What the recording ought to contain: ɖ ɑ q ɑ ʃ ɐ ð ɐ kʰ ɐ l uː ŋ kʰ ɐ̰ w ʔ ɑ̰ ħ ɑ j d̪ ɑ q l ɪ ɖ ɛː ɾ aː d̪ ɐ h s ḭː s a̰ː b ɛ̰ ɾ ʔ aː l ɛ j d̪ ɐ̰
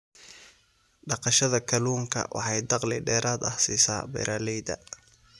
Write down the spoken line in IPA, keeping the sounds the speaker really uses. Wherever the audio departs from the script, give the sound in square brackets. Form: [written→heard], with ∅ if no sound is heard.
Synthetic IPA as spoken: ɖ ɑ q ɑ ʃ ɐ ð ɐ kʰ ɐ l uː ŋ kʰ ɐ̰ w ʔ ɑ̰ ħ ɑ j d̪ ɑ q l ɪ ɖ ɛː ɾ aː d̪ ɐ h s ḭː s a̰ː b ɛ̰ ɾ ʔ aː l ɛ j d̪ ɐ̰

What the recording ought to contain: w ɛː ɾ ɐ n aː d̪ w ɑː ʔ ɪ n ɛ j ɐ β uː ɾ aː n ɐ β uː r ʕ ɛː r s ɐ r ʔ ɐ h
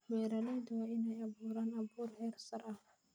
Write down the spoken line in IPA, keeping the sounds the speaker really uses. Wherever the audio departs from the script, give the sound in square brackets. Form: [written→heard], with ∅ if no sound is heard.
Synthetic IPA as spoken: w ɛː ɾ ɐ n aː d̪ w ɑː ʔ ɪ n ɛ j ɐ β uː ɾ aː n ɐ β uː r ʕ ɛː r s ɐ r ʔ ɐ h

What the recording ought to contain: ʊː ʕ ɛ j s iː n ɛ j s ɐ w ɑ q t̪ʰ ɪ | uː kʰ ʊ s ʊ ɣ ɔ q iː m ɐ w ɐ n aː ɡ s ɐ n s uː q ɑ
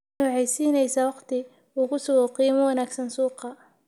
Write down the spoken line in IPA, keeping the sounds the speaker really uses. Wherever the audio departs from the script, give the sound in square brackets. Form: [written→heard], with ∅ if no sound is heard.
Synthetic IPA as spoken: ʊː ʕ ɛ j s iː n ɛ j s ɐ w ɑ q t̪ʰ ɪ | uː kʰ ʊ s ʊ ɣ ɔ q iː m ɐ w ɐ n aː ɡ s ɐ n s uː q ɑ

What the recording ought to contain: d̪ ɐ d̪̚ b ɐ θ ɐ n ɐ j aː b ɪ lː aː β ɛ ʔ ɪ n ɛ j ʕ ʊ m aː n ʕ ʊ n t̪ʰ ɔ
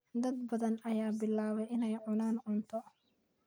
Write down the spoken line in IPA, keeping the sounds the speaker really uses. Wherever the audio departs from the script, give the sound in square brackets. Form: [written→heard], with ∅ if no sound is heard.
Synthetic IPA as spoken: d̪ ɐ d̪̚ b ɐ [θ→ð] ɐ n ɐ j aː b ɪ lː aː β ɛ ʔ ɪ n ɛ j ʕ ʊ [m→n] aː n ʕ ʊ n t̪ʰ ɔ

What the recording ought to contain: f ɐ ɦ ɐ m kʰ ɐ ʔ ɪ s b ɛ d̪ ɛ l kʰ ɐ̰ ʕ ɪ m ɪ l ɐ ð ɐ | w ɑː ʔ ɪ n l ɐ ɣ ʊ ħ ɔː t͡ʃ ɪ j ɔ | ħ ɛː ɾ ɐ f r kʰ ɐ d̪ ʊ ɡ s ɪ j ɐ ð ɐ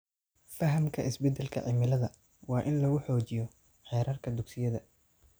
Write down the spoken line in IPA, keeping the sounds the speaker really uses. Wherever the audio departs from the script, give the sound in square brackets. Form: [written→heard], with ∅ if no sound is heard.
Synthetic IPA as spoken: f ɐ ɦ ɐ m kʰ ɐ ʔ ɪ s b ɛ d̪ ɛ l kʰ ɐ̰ ʕ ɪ m ɪ l ɐ ð ɐ | w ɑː ʔ ɪ n l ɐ ɣ ʊ ħ ɔː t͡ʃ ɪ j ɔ | ħ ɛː ɾ ɐ [f→∅] r kʰ ɐ d̪ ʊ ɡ s ɪ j ɐ ð ɐ

